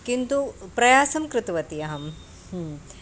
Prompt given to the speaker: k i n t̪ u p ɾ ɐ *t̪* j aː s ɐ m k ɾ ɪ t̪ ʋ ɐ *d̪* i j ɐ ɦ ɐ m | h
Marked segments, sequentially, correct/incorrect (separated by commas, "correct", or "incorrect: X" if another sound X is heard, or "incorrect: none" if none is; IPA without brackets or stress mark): incorrect: none, incorrect: t̪